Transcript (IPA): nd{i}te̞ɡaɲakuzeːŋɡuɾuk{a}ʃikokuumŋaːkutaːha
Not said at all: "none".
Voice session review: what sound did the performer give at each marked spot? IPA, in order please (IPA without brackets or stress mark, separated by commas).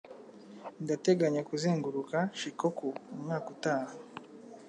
a, a